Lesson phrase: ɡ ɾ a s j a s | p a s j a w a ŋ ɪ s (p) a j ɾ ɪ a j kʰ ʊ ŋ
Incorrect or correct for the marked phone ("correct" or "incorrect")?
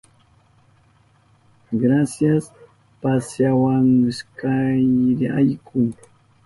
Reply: incorrect